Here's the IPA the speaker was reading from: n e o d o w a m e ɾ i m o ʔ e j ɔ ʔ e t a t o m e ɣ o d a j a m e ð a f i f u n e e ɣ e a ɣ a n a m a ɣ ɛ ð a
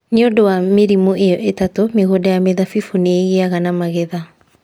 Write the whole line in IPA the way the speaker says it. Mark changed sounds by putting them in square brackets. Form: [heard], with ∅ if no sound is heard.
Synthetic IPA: n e o d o w a m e ɾ i m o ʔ e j ɔ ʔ e t a t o m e ɣ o d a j a m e ð a f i f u n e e ɣ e a ɣ a n a m a ɣ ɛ ð a